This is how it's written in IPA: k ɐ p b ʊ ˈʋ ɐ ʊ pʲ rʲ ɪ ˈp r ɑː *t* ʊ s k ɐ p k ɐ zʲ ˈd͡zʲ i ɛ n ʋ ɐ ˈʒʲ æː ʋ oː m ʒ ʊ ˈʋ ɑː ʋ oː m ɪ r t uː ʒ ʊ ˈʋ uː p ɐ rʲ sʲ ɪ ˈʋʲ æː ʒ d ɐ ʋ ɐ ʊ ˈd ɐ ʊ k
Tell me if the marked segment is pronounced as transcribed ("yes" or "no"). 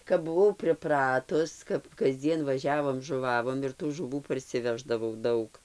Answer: yes